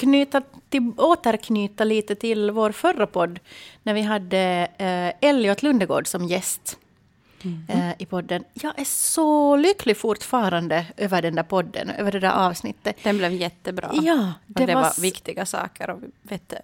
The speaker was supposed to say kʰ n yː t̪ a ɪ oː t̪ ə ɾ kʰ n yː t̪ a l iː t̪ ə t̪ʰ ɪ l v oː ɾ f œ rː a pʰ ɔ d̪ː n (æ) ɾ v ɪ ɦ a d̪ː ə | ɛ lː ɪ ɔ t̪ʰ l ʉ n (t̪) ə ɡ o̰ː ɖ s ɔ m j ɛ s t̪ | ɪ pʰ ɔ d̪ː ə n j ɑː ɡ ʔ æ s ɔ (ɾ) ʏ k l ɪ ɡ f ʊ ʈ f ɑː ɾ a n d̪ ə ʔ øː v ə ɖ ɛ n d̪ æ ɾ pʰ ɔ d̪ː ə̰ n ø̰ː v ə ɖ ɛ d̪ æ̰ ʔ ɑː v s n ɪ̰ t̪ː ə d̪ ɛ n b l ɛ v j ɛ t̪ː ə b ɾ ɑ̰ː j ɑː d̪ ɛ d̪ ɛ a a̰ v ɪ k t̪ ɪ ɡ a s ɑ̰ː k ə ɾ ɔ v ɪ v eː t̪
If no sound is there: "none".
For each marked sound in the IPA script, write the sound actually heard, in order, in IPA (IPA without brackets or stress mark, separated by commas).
æ, d̪, l